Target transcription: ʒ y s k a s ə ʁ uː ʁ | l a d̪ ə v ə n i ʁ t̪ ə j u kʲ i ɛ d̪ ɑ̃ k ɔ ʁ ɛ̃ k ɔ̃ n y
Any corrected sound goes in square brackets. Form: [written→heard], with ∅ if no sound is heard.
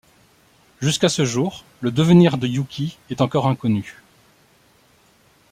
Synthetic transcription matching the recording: ʒ y s k a s ə [ʁ→ʒ] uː ʁ | l [a→ə] d̪ ə v ə n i ʁ [t̪→d̪] ə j u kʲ i ɛ [d̪→t̪] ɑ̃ k ɔ ʁ ɛ̃ k [ɔ̃→ɔ] n y